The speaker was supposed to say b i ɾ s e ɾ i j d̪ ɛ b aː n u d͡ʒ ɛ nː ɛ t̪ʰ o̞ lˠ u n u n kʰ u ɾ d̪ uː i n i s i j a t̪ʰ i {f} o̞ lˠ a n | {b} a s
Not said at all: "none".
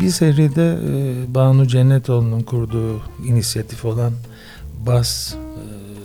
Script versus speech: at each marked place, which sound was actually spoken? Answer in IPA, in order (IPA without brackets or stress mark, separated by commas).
f, b